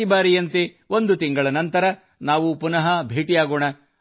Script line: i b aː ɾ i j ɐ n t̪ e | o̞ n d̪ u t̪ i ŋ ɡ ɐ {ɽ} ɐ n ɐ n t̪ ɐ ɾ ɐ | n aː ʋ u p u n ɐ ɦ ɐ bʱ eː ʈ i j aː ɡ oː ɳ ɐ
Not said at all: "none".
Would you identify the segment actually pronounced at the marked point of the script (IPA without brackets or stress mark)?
ɭ